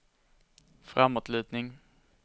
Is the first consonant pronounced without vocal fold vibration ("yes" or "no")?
yes